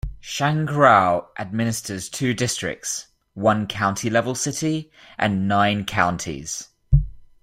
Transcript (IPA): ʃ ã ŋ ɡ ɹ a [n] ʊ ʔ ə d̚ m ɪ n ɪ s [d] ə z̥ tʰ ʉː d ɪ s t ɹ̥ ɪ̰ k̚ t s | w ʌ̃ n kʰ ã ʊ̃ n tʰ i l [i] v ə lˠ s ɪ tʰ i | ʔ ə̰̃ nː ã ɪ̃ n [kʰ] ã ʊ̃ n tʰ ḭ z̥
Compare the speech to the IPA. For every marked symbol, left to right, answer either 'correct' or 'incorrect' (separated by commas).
incorrect, incorrect, incorrect, correct